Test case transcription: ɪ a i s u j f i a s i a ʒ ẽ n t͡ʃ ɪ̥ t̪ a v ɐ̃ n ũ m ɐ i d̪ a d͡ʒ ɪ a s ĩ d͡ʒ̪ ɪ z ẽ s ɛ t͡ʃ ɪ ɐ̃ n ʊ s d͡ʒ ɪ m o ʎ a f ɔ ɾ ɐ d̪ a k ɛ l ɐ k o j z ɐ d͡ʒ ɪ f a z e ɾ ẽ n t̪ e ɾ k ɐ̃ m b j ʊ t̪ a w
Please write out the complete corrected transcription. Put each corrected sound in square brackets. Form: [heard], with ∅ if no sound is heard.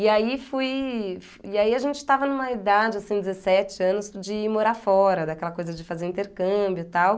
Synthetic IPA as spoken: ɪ a i [f] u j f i a [∅] i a ʒ ẽ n t͡ʃ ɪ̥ t̪ a v [ɐ] n ũ m ɐ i d̪ a d͡ʒ ɪ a s ĩ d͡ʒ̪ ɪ z [e] s ɛ t͡ʃ ɪ ɐ̃ n ʊ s d͡ʒ ɪ m o [ɾ] a f ɔ ɾ ɐ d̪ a k ɛ l ɐ k o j z ɐ d͡ʒ ɪ f a z e ɾ [ĩ] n t̪ e ɾ k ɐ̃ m b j ʊ t̪ a w